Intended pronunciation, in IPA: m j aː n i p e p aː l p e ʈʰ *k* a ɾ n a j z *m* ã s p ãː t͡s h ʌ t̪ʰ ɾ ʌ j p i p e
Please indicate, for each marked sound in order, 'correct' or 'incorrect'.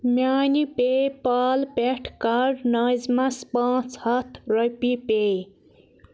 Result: correct, correct

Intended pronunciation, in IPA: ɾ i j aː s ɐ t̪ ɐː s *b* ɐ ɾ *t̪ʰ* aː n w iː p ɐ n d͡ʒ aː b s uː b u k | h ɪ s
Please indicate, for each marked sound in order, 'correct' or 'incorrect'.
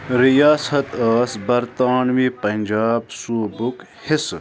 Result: correct, incorrect

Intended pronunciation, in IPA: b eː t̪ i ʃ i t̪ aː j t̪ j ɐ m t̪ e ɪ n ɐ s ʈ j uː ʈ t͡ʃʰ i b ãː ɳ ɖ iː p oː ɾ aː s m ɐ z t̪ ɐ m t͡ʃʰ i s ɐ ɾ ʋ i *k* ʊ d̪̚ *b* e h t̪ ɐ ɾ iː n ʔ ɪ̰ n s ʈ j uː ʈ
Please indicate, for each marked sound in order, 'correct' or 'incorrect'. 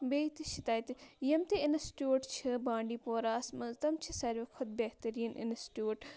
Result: incorrect, correct

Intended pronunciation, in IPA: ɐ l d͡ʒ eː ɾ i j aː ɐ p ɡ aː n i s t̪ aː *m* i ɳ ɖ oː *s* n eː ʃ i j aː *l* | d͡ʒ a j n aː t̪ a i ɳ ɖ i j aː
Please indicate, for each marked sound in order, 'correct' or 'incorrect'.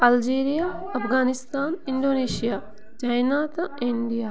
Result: incorrect, incorrect, incorrect

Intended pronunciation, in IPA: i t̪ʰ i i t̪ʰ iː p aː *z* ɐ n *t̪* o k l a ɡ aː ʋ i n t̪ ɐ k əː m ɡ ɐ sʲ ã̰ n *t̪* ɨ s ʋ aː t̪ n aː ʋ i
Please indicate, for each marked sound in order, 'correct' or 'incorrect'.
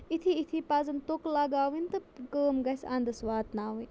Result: correct, correct, incorrect

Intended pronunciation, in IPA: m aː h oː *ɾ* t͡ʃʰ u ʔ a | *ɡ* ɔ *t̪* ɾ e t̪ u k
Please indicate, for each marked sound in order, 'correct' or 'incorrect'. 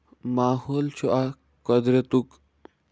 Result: incorrect, incorrect, incorrect

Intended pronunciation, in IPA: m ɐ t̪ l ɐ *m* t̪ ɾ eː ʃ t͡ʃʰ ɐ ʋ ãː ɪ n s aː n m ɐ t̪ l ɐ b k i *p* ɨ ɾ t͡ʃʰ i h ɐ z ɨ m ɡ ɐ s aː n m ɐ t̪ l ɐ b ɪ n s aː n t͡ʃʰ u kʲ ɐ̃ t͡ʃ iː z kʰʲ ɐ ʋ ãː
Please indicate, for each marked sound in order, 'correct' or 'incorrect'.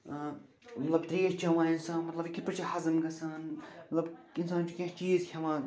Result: incorrect, correct

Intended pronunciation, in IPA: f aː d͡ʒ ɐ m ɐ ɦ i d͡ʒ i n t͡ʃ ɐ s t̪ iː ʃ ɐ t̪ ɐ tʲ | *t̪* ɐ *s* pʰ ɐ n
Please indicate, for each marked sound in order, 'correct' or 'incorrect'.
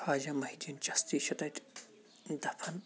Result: incorrect, incorrect

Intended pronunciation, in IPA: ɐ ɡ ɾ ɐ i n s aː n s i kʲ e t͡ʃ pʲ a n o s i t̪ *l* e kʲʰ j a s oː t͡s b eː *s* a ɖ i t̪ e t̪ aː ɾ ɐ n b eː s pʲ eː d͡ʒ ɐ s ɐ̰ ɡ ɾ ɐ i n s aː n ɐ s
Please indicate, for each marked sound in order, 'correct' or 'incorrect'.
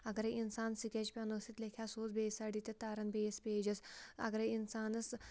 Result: correct, correct

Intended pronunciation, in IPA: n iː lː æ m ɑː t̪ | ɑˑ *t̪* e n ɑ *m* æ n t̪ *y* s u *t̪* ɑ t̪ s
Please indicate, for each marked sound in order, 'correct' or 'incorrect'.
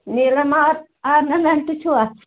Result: incorrect, correct, correct, incorrect

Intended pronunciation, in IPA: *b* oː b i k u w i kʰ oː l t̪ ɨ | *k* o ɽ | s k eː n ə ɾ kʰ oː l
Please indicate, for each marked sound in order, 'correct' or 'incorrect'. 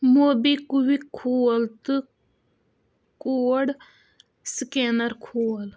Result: incorrect, correct

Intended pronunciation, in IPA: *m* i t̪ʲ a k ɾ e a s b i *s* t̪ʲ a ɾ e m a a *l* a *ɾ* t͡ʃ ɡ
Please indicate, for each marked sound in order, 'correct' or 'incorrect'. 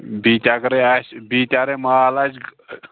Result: incorrect, incorrect, correct, incorrect

